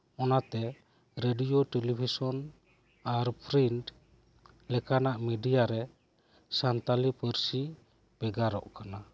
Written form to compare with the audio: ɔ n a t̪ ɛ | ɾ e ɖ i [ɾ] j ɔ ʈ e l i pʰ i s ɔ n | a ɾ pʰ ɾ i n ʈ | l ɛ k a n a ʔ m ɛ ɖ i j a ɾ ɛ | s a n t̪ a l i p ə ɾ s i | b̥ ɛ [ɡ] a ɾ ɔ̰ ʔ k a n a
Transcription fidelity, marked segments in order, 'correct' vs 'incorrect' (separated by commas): incorrect, correct